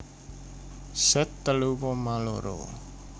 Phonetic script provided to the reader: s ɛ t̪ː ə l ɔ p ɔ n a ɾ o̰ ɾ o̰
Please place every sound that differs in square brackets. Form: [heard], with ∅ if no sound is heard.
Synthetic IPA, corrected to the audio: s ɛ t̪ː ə l [u] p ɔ [m] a [l] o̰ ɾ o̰